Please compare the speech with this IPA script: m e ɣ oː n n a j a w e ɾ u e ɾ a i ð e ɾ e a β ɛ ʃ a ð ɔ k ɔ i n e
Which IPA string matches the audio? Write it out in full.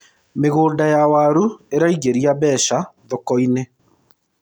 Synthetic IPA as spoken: m e ɣ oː n d a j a w a ɾ u e ɾ a i ɣ e ɾ i a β ɛ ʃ a ð ɔ k ɔ i n e